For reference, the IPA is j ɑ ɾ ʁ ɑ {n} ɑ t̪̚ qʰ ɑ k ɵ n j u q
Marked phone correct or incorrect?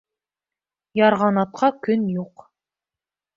correct